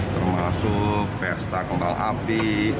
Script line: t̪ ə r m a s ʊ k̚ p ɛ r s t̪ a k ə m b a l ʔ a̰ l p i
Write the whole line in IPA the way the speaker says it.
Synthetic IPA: t̪ ə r m a s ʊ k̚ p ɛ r s t̪ a k ə m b a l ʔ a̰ p i